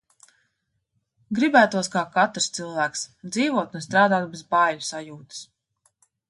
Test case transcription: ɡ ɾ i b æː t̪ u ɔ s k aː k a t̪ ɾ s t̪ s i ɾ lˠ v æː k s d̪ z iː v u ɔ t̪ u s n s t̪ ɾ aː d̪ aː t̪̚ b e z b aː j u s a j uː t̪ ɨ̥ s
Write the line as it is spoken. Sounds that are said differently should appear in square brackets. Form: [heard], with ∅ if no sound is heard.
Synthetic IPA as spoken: ɡ ɾ i b æː t̪ u ɔ s k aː k a t̪ ɾ s t̪ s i [∅] lˠ v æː k s d̪ z iː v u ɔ t̪ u [∅] n s t̪ ɾ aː d̪ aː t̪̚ b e z b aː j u s a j uː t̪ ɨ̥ s